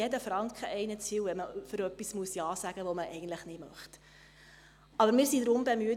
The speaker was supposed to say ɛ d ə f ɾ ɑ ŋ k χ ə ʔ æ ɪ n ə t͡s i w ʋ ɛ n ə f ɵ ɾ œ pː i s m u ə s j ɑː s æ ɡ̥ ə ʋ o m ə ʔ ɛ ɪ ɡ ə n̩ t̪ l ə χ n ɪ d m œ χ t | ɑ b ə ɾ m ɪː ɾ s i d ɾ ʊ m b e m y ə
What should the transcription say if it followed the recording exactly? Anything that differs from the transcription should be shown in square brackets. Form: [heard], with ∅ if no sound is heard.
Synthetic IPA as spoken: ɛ d ə f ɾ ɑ ŋ k χ ə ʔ [ɛ] ɪ n ə t͡s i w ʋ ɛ [m] ə f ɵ ɾ œ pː i s m u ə s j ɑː s æ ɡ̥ ə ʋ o m ə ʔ ɛ ɪ ɡ ə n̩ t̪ l ə χ n ɪ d m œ χ t | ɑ b ə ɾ m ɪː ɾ s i d ɾ ʊ m b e m y ə

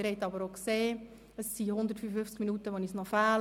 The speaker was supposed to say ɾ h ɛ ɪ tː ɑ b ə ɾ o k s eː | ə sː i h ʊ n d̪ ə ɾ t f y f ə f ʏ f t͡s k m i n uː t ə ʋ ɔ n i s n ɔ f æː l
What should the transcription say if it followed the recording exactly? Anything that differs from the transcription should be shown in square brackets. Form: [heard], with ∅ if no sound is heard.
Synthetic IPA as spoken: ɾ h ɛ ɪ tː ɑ b ə ɾ o k s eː | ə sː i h ʊ n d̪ ə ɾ t f y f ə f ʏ f t͡s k m i n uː t ə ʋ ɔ n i s n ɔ f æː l

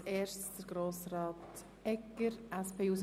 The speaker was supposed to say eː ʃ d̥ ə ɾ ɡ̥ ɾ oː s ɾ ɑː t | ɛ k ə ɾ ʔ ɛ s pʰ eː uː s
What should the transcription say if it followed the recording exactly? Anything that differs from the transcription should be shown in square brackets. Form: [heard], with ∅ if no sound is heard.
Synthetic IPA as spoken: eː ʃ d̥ ə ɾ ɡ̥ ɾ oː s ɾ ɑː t | ɛ k ə ɾ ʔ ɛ s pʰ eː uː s

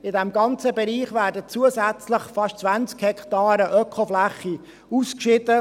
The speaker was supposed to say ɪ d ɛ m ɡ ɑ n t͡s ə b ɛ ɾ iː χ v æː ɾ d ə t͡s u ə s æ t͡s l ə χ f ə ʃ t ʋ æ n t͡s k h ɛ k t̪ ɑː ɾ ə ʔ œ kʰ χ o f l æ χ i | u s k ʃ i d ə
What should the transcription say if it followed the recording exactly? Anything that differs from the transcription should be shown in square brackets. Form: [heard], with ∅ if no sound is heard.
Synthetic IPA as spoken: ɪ d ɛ m ɡ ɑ n t͡s ə b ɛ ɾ iː χ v æː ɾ d ə t͡s u ə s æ t͡s l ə χ f [ɑ] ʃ [t͡s] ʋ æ n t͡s k h ɛ k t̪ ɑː ɾ ə ʔ œ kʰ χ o f l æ χ i | u s k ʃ [ɪ] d ə

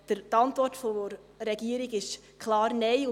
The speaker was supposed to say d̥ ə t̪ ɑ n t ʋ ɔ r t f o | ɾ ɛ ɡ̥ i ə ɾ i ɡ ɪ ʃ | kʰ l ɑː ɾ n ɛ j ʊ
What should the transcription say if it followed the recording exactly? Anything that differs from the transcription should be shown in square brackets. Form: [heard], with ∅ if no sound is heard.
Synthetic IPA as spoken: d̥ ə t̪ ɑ n t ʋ ɔ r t f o | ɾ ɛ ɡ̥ i ə ɾ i ɡ ɪ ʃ | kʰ l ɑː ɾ n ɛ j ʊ

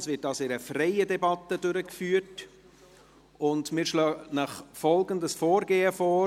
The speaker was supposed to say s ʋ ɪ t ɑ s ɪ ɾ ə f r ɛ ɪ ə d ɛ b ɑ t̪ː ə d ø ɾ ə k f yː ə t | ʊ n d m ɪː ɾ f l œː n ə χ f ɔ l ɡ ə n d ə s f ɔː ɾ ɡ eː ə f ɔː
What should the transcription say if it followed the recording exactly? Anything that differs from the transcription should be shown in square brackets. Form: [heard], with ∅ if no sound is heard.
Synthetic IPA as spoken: s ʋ ɪ t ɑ s ɪ ɾ ə f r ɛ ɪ ə d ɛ b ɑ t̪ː ə d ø ɾ ə k f yː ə t | ʊ n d m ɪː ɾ [ʃ] l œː n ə χ f ɔ l ɡ ə n d ə s f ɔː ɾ ɡ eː ə f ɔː

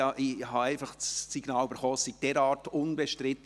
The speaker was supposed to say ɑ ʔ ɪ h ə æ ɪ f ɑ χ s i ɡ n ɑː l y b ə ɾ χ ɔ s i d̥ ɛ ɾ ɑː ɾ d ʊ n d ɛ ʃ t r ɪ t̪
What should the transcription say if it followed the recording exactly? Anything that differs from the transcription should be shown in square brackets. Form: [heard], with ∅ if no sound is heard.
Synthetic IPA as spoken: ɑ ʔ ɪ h [ɑ] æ ɪ f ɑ χ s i ɡ n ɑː l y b ə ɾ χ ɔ s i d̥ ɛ ɾ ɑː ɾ [t] ʊ n [b] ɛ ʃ t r ɪ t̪

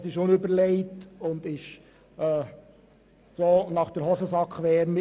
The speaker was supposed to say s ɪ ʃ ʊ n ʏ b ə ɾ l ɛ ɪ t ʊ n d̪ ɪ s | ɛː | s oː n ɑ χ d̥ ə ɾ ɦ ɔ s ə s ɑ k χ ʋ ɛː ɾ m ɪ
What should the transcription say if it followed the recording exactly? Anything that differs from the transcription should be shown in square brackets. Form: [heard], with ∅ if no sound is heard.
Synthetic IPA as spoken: s ɪ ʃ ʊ n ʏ b ə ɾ l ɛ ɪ t ʊ n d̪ ɪ [ʃ] | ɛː | s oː n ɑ χ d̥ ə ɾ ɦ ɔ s ə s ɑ k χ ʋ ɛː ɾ m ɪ

